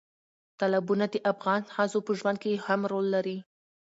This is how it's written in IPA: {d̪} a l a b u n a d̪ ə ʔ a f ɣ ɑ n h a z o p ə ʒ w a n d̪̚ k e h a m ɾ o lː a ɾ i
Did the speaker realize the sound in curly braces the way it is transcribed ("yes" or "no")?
no